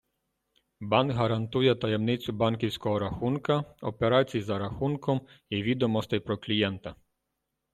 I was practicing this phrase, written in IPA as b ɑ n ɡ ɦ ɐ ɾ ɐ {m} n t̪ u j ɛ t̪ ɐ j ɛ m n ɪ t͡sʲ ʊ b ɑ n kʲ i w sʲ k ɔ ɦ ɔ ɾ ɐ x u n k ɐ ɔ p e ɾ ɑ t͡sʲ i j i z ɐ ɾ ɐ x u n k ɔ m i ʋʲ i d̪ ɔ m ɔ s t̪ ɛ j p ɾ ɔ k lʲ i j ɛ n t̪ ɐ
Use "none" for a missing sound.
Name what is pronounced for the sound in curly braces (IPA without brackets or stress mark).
none